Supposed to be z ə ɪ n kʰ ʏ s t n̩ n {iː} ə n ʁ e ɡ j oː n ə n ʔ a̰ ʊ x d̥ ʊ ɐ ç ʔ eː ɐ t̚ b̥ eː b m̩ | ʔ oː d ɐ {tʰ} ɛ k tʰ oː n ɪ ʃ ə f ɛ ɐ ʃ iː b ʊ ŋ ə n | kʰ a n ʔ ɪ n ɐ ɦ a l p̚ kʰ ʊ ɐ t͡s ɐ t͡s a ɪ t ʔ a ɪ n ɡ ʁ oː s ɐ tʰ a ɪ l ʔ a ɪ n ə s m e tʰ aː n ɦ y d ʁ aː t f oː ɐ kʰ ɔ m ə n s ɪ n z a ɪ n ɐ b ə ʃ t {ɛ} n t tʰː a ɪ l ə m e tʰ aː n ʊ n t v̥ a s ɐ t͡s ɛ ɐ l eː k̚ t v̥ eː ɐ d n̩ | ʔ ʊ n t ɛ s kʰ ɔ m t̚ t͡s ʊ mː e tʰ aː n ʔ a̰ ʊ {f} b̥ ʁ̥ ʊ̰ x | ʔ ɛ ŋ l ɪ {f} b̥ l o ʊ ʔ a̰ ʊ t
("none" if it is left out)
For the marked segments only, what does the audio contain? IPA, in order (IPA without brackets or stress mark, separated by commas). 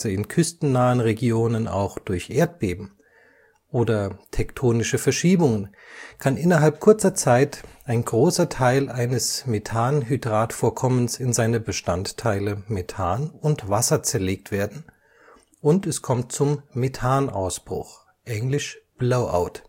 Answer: aː, tʰ, a, s, ʃ